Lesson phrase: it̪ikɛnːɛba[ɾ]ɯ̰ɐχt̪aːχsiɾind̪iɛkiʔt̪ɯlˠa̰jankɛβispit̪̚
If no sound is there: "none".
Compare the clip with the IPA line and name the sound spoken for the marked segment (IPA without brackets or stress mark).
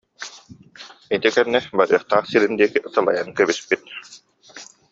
ɾ